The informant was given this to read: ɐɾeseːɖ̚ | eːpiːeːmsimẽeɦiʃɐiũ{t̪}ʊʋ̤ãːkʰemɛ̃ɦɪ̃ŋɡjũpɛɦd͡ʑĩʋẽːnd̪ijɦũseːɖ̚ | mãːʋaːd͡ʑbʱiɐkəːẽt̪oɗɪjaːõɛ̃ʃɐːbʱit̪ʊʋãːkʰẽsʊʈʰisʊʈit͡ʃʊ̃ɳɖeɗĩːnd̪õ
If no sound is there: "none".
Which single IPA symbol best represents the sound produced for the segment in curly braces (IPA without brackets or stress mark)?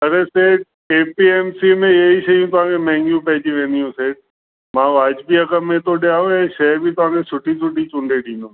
t̪